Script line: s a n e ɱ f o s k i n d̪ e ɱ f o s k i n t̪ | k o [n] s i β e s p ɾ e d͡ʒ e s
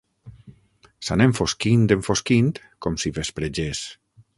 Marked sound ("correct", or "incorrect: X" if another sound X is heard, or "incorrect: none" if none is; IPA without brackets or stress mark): incorrect: m